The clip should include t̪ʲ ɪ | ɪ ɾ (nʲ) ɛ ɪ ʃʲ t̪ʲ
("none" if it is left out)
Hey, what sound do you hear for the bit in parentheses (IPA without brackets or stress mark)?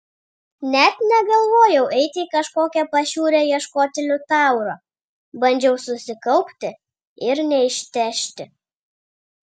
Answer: nʲ